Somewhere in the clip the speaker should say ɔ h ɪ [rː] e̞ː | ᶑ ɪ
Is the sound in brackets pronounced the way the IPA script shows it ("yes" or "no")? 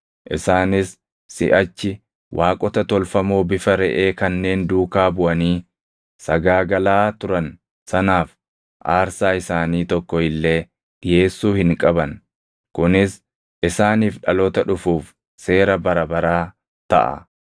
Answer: no